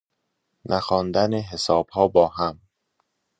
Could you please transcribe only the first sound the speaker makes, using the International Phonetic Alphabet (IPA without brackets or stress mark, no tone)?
n